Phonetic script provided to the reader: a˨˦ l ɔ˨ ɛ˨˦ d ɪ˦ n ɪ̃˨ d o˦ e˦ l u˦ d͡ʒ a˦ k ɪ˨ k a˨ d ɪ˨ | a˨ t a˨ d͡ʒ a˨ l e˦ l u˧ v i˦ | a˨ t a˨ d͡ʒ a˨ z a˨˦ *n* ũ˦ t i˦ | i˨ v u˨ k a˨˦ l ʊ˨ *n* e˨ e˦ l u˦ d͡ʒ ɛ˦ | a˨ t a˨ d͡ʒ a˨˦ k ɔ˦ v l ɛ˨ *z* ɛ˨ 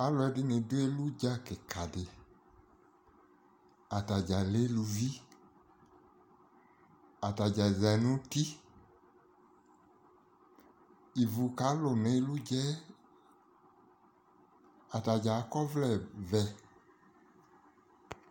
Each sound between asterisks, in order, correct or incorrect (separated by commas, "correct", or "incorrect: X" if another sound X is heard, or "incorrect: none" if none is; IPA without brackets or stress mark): correct, correct, incorrect: v